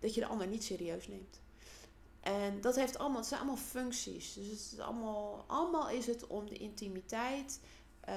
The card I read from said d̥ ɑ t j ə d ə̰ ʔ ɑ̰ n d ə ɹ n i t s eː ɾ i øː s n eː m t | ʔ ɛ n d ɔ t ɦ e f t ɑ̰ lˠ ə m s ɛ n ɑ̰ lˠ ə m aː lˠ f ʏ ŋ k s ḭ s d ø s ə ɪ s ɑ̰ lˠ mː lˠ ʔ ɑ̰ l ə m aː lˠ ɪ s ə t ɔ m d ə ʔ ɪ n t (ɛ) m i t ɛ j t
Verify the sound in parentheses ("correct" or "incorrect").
incorrect